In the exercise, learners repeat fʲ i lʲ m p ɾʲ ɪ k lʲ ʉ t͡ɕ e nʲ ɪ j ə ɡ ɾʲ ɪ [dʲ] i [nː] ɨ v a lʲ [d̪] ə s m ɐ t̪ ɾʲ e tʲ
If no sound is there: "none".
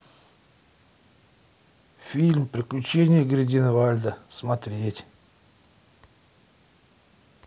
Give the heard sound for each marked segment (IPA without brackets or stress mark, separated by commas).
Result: dʲ, n, d̪